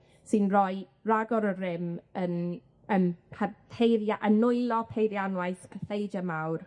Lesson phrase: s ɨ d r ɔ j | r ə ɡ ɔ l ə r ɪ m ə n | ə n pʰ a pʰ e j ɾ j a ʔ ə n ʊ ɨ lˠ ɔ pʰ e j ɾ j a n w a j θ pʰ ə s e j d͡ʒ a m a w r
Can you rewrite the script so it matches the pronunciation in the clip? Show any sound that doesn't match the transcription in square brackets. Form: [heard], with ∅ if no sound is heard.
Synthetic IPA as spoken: s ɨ [n] r ɔ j | r [a] ɡ ɔ [ɾ] ə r ɪ m ə n | ə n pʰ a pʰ e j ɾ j a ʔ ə n ʊ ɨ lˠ ɔ pʰ e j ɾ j a n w a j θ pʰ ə [θ] e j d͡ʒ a m a w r